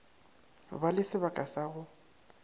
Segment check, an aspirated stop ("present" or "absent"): absent